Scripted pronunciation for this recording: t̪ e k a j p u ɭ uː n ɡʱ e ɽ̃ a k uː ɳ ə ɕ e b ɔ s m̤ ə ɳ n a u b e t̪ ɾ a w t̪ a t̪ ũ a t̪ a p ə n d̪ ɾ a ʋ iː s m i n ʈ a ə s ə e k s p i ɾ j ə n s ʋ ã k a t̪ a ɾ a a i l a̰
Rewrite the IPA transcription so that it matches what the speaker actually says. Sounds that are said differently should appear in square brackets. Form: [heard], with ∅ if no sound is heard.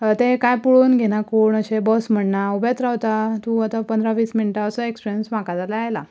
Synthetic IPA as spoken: t̪ e k a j p u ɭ uː n ɡʱ e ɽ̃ a k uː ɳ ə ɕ e b ɔ s m̤ ə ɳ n a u b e t̪ ɾ a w t̪ a t̪ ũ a t̪ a p ə n d̪ ɾ a ʋ iː s m i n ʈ a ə s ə e k s p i ɾ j ə n s ʋ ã k a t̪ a [l] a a [j] l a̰